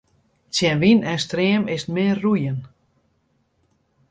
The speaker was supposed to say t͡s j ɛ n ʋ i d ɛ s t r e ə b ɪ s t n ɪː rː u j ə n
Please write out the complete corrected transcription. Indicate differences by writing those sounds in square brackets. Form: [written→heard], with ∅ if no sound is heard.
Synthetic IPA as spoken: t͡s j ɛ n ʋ i [d→n] ɛ s t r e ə [b→m] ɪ s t [n→m] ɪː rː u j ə n

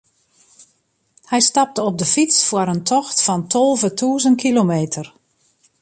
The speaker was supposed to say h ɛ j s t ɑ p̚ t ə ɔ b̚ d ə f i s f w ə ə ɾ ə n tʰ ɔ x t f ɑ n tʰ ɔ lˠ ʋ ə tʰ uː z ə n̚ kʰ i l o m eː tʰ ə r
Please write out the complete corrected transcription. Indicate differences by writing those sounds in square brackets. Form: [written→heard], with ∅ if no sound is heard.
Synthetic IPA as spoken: h ɛ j s t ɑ p̚ t ə ɔ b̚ d ə f i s f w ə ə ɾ ə n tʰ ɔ x t f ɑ n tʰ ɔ lˠ [ʋ→v] ə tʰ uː z ə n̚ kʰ i l o m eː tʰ ə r

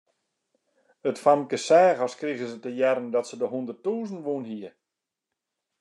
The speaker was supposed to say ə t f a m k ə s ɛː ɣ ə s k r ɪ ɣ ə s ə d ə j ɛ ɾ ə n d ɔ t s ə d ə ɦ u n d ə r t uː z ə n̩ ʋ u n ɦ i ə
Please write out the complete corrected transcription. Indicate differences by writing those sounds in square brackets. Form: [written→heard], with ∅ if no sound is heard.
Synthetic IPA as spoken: ə t f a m k ə s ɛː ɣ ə s k r [ɪ→i] ɣ ə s ə [d→t] ə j ɛ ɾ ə n d ɔ t s ə d ə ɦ u n d ə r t uː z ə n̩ ʋ u n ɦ i ə

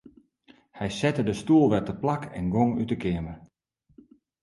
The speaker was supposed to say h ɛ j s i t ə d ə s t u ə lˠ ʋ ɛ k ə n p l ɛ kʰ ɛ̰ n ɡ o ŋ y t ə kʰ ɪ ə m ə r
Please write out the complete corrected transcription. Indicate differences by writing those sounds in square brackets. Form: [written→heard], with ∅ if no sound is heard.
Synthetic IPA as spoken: h ɛ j s [i→ɛ] t ə d ə s t u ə lˠ ʋ ɛ [k→t] ə [n→∅] p l [ɛ→a] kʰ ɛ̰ n ɡ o ŋ y t ə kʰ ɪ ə m ə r

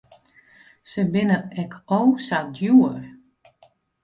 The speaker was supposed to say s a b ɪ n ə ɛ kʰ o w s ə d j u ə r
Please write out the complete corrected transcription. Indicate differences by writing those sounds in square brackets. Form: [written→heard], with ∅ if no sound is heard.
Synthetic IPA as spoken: s [a→ə] b ɪ n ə ɛ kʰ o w s [ə→a] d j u ə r

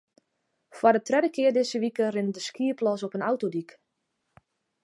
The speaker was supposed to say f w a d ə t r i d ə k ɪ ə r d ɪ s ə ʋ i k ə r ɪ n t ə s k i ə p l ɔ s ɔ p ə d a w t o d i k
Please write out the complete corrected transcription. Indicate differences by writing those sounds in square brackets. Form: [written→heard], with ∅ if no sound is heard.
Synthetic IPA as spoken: f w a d ə t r [i→ɛ] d ə k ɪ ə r d ɪ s ə ʋ i k ə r ɪ n [t→d] ə s k i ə p l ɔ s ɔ p ə [d→n] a w t o d i k

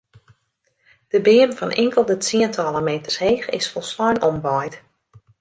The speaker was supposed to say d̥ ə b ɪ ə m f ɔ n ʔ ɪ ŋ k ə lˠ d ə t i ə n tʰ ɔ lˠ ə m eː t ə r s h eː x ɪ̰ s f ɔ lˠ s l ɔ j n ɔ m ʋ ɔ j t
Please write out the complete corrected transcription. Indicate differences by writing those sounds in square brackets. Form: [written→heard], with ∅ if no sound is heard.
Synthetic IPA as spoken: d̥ ə b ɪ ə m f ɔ n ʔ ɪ ŋ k ə lˠ d ə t i ə n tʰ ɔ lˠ ə m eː t ə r s h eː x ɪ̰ s f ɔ lˠ s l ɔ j n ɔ m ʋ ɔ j t

